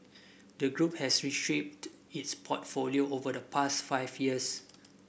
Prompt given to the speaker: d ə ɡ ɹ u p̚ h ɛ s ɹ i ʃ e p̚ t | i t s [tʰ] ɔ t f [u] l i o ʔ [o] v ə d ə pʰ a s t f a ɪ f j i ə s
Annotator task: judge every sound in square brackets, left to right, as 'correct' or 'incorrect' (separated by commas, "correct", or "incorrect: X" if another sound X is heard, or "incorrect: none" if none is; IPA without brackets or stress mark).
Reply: incorrect: pʰ, incorrect: o, correct